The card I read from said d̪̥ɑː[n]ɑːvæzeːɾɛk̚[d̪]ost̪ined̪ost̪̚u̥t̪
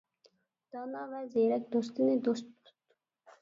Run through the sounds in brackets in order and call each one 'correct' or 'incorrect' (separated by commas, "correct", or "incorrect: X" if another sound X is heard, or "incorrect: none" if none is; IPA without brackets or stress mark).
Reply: correct, correct